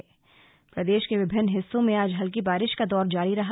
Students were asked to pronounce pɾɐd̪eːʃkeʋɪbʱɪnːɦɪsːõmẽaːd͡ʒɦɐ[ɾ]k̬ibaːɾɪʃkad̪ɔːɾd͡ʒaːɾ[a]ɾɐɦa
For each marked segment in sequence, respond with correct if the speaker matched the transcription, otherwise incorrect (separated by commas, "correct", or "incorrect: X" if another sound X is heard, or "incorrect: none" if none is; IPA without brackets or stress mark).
incorrect: l, incorrect: i